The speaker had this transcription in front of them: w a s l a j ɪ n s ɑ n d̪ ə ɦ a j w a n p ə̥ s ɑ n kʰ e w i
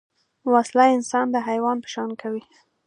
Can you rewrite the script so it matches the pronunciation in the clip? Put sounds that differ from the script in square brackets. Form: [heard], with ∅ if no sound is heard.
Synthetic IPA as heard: w a s l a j ɪ n s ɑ n d̪ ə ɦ a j w [ɑ] n p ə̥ [ʃ] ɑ n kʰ [a] w i